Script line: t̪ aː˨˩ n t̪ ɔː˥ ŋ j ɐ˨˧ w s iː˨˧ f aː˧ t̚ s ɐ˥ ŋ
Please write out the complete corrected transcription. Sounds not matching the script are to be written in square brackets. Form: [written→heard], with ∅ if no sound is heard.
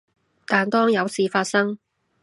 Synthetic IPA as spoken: t̪ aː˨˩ n t̪ ɔː˥ ŋ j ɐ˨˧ w s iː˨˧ f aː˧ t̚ s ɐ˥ ŋ